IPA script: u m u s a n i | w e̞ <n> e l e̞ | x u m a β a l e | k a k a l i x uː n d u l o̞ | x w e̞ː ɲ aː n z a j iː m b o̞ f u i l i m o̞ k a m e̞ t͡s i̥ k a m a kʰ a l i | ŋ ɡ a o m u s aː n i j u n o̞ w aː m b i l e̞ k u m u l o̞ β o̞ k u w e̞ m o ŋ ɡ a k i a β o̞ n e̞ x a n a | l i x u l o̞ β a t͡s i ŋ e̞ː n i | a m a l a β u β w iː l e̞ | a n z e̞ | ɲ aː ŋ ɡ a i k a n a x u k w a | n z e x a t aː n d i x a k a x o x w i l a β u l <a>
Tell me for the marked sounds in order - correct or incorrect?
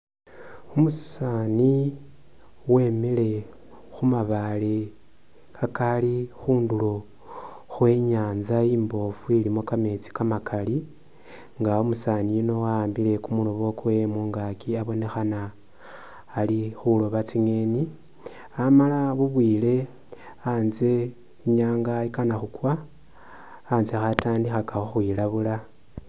incorrect: m, correct

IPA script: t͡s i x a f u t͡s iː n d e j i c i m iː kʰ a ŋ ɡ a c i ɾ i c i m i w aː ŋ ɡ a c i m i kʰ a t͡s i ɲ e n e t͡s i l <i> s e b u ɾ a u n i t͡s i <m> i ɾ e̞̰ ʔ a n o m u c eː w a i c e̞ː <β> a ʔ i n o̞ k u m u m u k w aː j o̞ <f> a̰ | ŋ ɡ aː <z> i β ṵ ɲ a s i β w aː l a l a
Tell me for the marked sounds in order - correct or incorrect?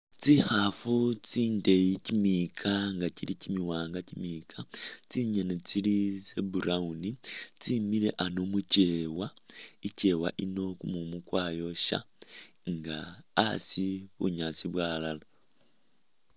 correct, correct, incorrect: w, incorrect: ʃ, incorrect: s

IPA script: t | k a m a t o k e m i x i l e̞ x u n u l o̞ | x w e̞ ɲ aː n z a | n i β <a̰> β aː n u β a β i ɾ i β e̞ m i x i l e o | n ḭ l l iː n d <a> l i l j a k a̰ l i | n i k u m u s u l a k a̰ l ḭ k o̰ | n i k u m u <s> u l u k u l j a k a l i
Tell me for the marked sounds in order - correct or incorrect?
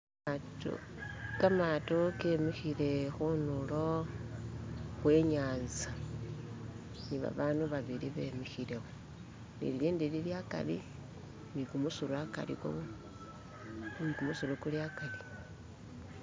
correct, incorrect: i, correct

